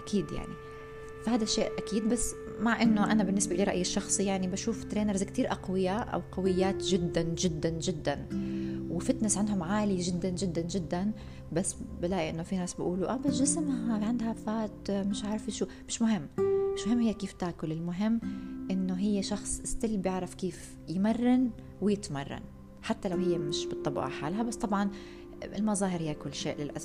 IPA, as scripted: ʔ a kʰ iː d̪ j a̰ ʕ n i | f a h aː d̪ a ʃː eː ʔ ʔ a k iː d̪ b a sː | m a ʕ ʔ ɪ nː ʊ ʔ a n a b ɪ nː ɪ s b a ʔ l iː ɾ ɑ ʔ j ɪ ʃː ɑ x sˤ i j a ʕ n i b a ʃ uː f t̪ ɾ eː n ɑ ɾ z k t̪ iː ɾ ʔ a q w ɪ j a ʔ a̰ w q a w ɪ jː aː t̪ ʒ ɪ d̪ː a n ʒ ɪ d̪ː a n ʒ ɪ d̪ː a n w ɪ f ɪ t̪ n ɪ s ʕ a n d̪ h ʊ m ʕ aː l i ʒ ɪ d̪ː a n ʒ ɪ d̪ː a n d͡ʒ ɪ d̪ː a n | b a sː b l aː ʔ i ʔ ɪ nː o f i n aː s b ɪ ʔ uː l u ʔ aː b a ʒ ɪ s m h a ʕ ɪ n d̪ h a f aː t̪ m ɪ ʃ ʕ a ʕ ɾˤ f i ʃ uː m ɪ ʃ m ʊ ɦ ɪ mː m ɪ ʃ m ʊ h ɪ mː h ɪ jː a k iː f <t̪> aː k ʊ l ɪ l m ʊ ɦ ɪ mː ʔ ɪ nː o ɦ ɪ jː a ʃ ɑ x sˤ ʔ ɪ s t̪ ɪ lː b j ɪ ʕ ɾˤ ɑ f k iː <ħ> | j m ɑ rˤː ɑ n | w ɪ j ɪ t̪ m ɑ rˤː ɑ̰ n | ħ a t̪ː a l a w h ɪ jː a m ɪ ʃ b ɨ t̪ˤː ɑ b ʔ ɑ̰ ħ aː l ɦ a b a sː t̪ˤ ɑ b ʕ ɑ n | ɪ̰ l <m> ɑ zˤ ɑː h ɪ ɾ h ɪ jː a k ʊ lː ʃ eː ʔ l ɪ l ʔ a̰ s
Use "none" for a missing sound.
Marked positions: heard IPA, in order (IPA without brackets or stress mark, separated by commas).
t̪, f, m